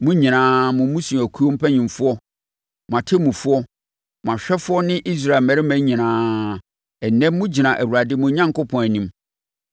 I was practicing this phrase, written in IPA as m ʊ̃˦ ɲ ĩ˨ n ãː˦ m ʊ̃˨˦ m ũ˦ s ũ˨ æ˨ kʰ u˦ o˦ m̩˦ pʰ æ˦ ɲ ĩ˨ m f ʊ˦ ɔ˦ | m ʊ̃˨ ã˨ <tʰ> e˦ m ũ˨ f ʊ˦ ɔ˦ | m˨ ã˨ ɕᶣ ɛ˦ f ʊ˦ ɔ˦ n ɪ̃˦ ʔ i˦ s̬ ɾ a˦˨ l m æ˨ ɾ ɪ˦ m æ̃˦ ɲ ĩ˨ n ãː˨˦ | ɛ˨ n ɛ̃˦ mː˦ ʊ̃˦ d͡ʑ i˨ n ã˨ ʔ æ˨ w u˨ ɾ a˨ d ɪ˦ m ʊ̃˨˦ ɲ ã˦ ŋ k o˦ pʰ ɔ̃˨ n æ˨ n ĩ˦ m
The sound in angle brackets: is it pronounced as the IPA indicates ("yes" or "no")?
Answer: yes